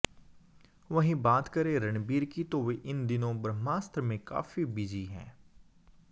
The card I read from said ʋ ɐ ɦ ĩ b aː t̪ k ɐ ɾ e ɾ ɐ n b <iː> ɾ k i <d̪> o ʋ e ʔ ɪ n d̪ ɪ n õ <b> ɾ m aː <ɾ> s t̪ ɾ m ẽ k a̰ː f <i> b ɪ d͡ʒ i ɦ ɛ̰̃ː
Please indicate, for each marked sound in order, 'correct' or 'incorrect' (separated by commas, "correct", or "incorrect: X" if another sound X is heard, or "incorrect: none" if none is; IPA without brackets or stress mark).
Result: correct, incorrect: t̪, correct, incorrect: none, correct